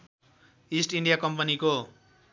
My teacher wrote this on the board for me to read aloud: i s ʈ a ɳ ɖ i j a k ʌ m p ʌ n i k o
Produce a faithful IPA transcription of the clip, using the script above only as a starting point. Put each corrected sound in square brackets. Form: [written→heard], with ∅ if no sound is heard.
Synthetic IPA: i s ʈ [a→i] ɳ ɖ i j a k ʌ m p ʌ n i k o